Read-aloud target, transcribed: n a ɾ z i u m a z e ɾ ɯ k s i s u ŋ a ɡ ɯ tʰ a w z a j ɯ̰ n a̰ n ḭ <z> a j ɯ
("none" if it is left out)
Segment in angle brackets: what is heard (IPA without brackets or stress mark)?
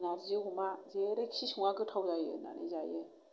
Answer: z